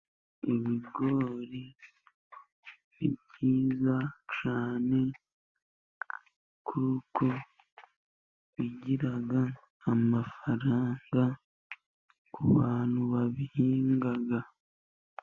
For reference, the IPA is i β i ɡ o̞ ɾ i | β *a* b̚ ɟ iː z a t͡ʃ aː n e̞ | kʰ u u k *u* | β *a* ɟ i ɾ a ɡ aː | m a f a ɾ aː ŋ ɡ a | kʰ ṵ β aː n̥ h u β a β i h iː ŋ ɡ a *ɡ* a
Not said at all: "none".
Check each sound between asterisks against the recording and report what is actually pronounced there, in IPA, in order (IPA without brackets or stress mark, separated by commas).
i, o, i, ɡ